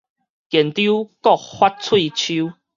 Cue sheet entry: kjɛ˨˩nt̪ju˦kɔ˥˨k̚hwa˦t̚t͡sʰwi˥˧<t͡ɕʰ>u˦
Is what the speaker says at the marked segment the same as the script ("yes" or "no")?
yes